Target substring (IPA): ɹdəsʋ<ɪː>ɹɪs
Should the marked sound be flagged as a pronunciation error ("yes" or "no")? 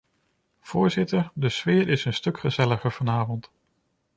no